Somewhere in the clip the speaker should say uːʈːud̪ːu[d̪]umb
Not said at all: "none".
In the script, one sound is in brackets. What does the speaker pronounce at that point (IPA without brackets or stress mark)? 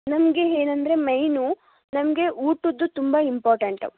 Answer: t̪